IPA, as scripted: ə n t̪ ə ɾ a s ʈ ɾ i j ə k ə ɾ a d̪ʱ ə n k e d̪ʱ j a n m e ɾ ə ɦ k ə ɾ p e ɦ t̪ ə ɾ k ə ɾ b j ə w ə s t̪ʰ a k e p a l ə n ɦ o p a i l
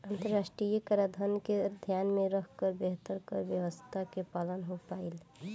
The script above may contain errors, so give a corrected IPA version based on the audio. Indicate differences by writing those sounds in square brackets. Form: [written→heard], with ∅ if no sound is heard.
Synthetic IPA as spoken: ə n t̪ ə ɾ a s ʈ ɾ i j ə k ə ɾ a d̪ʱ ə n k e d̪ʱ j a n m e ɾ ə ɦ k ə ɾ [p→b] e ɦ t̪ ə ɾ k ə ɾ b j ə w ə s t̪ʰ a k e p a l ə n ɦ o p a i l